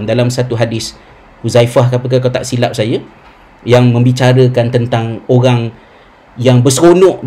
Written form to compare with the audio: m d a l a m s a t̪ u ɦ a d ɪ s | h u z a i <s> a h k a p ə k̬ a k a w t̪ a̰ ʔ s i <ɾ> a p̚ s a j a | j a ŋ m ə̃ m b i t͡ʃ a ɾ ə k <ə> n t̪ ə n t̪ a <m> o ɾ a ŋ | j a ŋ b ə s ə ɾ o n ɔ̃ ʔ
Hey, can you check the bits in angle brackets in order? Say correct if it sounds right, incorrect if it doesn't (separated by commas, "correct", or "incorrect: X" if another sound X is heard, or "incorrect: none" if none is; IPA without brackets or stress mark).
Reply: incorrect: f, incorrect: l, incorrect: a, incorrect: ŋ